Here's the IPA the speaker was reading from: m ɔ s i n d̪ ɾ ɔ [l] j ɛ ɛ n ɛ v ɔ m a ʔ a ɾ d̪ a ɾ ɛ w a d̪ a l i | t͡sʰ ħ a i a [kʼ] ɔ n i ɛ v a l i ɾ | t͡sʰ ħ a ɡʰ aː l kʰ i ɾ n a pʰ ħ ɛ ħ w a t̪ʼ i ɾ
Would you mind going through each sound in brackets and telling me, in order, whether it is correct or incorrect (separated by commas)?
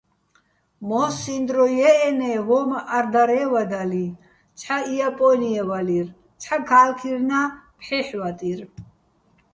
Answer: incorrect, incorrect